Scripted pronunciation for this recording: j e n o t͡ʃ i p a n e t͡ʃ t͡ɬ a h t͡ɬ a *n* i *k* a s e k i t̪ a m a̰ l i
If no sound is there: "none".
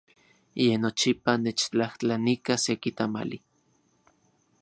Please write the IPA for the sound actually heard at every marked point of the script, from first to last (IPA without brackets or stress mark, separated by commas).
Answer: n, k